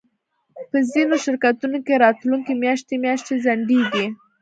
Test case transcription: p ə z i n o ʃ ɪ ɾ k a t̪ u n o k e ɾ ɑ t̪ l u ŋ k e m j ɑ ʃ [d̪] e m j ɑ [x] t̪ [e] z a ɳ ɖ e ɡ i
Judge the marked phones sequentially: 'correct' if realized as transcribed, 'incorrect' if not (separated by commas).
incorrect, incorrect, correct